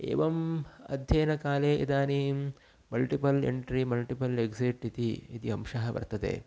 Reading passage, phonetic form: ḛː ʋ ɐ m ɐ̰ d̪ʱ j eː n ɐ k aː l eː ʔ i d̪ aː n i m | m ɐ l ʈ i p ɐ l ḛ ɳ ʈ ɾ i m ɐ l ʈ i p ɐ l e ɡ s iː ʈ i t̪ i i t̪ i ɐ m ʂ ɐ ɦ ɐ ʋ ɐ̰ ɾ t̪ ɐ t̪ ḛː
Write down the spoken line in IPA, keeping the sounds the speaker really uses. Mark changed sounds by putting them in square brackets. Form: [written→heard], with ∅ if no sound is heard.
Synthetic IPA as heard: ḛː ʋ ɐ m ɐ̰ d̪ʱ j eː n ɐ k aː l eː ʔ i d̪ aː n i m | m ɐ l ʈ i p ɐ l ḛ ɳ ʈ ɾ i m ɐ l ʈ i p ɐ l e ɡ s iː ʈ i t̪ i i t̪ i ɐ m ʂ ɐ ɦ ɐ ʋ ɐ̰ ɾ t̪ ɐ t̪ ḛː